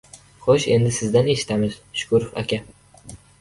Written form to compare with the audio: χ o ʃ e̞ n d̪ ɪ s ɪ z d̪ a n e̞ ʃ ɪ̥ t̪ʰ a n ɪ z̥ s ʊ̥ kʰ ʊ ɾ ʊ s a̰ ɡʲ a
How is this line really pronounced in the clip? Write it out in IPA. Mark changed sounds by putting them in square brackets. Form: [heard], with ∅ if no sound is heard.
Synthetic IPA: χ o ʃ e̞ n d̪ ɪ s ɪ z d̪ a n e̞ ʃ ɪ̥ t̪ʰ a [m] ɪ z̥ [ʃ] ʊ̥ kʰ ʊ ɾ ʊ [f] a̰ [kʲ] a